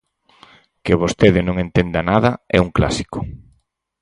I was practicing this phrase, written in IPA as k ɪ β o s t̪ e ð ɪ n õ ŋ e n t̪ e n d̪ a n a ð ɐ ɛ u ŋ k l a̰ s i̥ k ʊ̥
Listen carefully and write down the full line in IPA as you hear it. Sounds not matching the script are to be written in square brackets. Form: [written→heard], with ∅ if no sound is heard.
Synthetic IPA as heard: k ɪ β o s t̪ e ð ɪ n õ ŋ e n t̪ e n d̪ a n a ð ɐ ɛ u ŋ k l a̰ s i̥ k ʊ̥